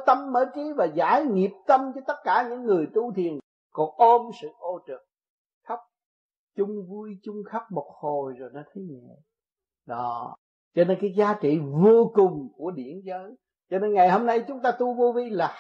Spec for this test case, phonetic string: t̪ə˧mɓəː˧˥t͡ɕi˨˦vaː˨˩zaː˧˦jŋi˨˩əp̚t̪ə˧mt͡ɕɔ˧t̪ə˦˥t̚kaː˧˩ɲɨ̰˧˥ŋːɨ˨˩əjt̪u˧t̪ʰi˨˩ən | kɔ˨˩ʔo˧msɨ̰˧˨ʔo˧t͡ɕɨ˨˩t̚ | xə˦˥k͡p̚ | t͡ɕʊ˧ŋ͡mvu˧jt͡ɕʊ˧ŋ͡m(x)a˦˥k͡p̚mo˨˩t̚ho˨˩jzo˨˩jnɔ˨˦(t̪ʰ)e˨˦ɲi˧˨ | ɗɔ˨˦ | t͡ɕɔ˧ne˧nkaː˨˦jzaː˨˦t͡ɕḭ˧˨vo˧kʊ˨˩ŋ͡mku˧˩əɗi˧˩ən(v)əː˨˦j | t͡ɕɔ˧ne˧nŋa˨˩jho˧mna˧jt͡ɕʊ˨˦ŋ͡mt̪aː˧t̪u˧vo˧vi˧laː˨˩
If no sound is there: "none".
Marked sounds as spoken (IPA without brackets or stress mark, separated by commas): x, t̪ʰ, z